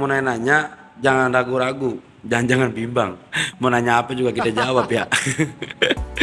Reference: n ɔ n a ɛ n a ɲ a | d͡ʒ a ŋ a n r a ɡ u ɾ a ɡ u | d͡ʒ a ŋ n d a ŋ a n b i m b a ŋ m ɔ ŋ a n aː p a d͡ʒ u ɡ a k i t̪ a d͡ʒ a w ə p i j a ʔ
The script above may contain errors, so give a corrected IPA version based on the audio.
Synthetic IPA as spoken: m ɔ n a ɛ n a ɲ a | d͡ʒ a ŋ a n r a ɡ u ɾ a ɡ u | d͡ʒ a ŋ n d͡ʒ a ŋ a n b i m b a ŋ m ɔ n a ɲ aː p a d͡ʒ u ɡ a k i t̪ a d͡ʒ a w a p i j a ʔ